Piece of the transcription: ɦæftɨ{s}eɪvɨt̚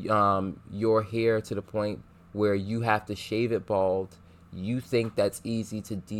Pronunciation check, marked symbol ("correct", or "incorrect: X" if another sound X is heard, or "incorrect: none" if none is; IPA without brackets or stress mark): incorrect: ʃ